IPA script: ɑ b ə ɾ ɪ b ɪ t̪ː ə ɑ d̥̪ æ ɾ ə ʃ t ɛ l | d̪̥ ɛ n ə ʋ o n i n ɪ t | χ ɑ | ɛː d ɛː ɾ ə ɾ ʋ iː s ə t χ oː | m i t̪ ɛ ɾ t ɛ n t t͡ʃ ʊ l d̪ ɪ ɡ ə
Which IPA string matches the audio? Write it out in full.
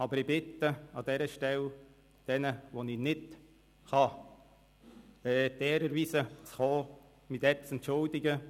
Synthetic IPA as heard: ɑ b ə ɾ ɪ b ɪ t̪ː ə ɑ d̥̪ ɛ ɾ ə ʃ t ɛ l | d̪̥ ɛ n ə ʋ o n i n ɪ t | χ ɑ | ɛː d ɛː ɾ ə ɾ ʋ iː s ə t͡s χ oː | m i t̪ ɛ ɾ t͡s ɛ n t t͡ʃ ʊ l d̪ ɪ ɡ ə